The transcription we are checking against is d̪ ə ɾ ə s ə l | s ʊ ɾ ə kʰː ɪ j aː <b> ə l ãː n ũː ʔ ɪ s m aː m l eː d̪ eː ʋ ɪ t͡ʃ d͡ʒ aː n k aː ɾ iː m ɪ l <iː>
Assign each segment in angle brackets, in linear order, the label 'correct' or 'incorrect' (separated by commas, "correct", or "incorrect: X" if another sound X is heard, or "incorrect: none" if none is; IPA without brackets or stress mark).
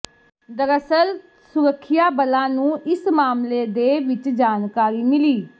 correct, correct